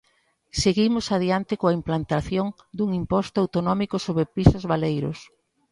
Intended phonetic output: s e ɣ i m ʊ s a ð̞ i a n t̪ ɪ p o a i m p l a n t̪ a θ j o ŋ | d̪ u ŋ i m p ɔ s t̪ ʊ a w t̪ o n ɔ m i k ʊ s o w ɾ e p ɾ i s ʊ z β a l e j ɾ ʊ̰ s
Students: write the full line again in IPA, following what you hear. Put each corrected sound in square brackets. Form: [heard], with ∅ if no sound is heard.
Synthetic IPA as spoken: s e ɣ i m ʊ s a ð̞ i a n t̪ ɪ [k] o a i m p l a n t̪ a θ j o ŋ | d̪ u ŋ i m p ɔ s t̪ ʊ a w t̪ o n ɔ m i k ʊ s o [β] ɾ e p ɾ i s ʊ z β a l e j ɾ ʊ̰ s